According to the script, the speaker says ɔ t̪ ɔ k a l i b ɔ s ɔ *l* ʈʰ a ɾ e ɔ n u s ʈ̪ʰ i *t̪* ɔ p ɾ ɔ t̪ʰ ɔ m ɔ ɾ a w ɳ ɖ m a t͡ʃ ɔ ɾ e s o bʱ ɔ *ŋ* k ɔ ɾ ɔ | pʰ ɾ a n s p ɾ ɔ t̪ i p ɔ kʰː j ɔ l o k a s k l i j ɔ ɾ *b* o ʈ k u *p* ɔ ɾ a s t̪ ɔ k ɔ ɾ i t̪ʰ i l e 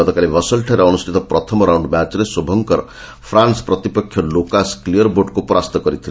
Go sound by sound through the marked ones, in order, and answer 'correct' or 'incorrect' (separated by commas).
correct, correct, correct, correct, correct